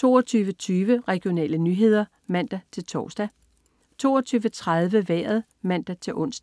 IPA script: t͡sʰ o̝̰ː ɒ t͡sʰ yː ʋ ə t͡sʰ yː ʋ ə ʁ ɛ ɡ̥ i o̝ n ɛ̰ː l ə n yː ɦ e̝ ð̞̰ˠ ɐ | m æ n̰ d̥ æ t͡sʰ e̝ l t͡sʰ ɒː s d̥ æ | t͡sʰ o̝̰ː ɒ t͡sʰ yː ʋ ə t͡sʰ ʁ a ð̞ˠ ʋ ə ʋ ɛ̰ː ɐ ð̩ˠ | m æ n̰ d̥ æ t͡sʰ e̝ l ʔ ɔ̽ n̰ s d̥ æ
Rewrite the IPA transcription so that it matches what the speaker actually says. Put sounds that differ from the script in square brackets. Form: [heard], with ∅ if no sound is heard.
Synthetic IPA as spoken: t͡sʰ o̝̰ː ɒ t͡sʰ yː ʋ ə t͡sʰ yː ʋ ə ʁ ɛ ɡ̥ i o̝ n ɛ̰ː l ə n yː ɦ e̝ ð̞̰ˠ ɐ | m æ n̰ d̥ æ t͡sʰ e̝ l t͡sʰ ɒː s d̥ æ | t͡sʰ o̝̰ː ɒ t͡sʰ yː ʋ ə t͡sʰ ʁ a ð̞ˠ ʋ ə ʋ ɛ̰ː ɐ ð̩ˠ | m æ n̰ d̥ æ t͡sʰ e̝ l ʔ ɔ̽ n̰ s d̥ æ